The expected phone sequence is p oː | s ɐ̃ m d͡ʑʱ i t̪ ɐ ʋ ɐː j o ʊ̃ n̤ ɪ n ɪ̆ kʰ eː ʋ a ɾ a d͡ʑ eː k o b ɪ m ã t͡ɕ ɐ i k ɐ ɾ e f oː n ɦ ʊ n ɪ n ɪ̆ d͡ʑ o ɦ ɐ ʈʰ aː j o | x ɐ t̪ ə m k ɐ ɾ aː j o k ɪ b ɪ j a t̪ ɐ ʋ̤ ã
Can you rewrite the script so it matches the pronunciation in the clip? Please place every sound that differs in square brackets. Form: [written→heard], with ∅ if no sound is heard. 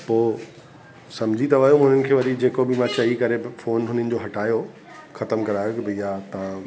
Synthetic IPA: p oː | s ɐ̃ m d͡ʑʱ i t̪ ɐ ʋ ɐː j o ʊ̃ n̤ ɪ n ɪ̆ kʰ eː ʋ [a→ɐ] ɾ [a→i] d͡ʑ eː k o b ɪ m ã t͡ɕ ɐ i k ɐ ɾ e f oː n ɦ ʊ n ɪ n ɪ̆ d͡ʑ o ɦ ɐ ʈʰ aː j o | x ɐ t̪ ə m k ɐ ɾ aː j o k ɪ b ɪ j a t̪ ɐ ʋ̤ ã